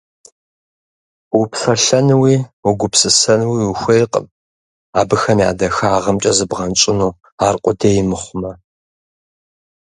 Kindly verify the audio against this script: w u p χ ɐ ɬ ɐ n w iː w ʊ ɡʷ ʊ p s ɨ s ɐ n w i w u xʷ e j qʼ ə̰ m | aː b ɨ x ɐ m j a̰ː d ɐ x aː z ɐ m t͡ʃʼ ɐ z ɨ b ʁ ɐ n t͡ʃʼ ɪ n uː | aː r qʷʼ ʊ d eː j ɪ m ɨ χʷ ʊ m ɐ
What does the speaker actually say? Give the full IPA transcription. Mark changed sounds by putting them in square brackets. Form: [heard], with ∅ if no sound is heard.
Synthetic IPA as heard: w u p [s] ɐ ɬ ɐ n w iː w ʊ ɡʷ ʊ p s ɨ s ɐ n w i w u xʷ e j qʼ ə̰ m | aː b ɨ x ɐ m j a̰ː d ɐ x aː [ʁ] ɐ m t͡ʃʼ ɐ z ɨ b ʁ ɐ n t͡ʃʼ ɪ n uː | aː r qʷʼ ʊ d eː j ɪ m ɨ χʷ ʊ m ɐ